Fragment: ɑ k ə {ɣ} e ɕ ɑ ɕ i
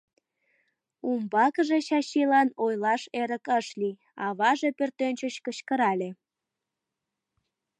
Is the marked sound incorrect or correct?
incorrect